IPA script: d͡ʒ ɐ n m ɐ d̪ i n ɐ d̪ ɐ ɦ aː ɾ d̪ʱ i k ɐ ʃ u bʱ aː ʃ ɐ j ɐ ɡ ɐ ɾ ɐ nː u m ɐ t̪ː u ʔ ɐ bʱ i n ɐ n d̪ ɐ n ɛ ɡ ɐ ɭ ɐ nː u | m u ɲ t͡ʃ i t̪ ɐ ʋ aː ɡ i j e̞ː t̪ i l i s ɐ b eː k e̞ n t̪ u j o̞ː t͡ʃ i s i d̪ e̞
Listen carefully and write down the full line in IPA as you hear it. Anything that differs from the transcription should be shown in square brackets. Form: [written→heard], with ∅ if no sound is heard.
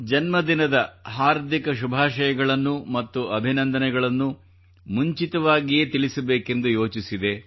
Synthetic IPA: d͡ʒ ɐ n m ɐ d̪ i n ɐ d̪ ɐ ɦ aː ɾ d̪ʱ i k ɐ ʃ u bʱ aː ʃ ɐ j ɐ ɡ ɐ [ɾ→ɭ] ɐ nː u m ɐ t̪ː u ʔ ɐ bʱ i n ɐ n d̪ ɐ n ɛ ɡ ɐ ɭ ɐ nː u | m u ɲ t͡ʃ i t̪ ɐ ʋ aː ɡ i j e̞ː t̪ i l i s ɐ b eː k e̞ n [t̪→d̪] u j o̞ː t͡ʃ i s i d̪ e̞

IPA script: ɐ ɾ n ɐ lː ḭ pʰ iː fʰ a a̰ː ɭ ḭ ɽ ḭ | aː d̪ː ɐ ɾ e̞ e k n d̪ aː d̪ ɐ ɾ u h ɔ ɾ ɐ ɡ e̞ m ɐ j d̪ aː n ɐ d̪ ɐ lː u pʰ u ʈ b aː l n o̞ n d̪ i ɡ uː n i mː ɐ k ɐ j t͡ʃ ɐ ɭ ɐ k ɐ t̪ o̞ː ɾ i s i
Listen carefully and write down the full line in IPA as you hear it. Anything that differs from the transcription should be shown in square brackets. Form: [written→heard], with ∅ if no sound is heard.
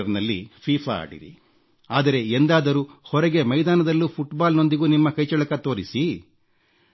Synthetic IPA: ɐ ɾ n ɐ lː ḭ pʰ iː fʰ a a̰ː [ɭ→ɽ] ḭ [ɽ→ɾ] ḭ | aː [d̪ː→d̪] ɐ ɾ e̞ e [k→∅] n d̪ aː d̪ ɐ ɾ u h ɔ ɾ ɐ ɡ e̞ m ɐ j d̪ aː n ɐ d̪ ɐ lː u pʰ u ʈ b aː l n o̞ n d̪ i ɡ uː n i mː ɐ k ɐ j t͡ʃ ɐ ɭ ɐ k ɐ t̪ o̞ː ɾ i s i

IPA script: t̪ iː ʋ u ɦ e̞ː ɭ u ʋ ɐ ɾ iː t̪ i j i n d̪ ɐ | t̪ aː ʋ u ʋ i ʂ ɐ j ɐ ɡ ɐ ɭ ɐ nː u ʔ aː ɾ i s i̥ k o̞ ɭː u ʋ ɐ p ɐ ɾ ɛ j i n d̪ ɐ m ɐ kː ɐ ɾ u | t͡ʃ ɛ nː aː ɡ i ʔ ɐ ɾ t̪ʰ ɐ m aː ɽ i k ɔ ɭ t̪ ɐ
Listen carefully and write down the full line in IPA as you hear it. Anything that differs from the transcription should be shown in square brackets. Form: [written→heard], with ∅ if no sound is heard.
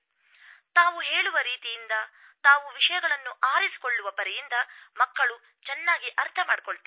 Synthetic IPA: t̪ [iː→aː] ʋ u ɦ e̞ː ɭ u ʋ ɐ ɾ iː t̪ i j i n d̪ ɐ | t̪ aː ʋ u ʋ i ʂ ɐ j ɐ ɡ ɐ ɭ ɐ nː u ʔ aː ɾ i s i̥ k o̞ ɭː u ʋ ɐ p ɐ ɾ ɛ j i n d̪ ɐ m ɐ kː ɐ [ɾ→ɭ] u | t͡ʃ ɛ nː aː ɡ i ʔ ɐ ɾ t̪ʰ ɐ m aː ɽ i k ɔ ɭ t̪ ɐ

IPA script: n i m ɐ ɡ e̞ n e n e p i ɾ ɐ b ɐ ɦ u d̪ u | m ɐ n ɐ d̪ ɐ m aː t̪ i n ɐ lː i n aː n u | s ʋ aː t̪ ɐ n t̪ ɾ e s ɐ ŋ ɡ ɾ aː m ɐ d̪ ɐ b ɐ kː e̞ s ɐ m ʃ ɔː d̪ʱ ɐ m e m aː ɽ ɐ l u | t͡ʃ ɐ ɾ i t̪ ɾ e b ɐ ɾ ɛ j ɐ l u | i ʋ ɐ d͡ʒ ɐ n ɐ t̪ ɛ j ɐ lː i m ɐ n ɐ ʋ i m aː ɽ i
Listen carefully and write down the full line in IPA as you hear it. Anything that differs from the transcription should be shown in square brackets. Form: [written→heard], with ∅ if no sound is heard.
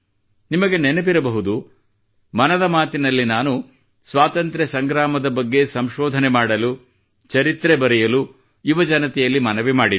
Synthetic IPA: n i m ɐ ɡ e̞ n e n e p i ɾ ɐ b ɐ ɦ u d̪ u | m ɐ n ɐ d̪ ɐ m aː t̪ i n ɐ lː i n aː n u | s ʋ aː t̪ ɐ n t̪ ɾ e s ɐ ŋ ɡ ɾ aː m ɐ d̪ ɐ b ɐ [kː→ɡː] e̞ s ɐ m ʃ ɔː d̪ʱ ɐ [m→n] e m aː ɽ ɐ l u | t͡ʃ ɐ ɾ i t̪ ɾ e b ɐ ɾ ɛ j ɐ l u | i ʋ ɐ d͡ʒ ɐ n ɐ t̪ ɛ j ɐ lː i m ɐ n ɐ ʋ i m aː ɽ i

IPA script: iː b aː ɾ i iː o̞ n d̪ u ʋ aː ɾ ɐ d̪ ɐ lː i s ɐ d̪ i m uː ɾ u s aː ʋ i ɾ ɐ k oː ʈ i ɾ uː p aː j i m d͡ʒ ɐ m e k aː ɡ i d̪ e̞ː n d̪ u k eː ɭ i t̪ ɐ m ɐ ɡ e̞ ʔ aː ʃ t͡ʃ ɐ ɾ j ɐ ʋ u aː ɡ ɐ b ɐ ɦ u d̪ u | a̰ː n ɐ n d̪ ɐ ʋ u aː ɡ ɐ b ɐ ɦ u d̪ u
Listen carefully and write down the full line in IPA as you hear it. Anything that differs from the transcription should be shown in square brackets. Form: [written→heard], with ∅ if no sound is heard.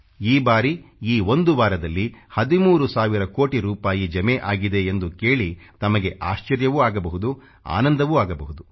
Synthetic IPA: iː b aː ɾ i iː o̞ n d̪ u ʋ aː ɾ ɐ d̪ ɐ lː i [s→h] ɐ d̪ i m uː ɾ u s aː ʋ i ɾ ɐ k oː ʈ i ɾ uː p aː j i [m→∅] d͡ʒ ɐ m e [k→ʔ] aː ɡ i d̪ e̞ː n d̪ u k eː ɭ i t̪ ɐ m ɐ ɡ e̞ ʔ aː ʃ t͡ʃ ɐ ɾ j ɐ ʋ u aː ɡ ɐ b ɐ ɦ u d̪ u | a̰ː n ɐ n d̪ ɐ ʋ u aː ɡ ɐ b ɐ ɦ u d̪ u

